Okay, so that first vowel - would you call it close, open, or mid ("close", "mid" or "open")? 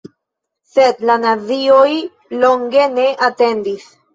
mid